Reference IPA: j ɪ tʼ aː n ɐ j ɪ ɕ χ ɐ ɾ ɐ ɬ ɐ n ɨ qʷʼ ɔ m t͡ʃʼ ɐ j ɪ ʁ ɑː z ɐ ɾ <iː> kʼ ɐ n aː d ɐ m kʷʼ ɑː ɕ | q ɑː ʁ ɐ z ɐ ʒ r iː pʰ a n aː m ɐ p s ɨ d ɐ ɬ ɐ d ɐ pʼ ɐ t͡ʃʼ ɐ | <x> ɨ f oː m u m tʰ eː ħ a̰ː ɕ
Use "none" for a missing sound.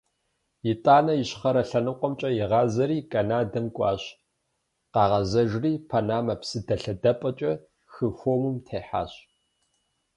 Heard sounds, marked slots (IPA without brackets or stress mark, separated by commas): iː, x